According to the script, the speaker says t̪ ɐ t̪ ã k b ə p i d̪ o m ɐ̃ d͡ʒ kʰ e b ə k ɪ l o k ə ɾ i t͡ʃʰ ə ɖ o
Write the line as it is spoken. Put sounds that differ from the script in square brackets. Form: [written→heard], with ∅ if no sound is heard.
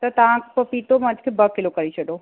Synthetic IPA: t̪ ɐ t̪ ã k [b→p] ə p i [d̪→t̪] o m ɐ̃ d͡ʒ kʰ e b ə k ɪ l o k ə ɾ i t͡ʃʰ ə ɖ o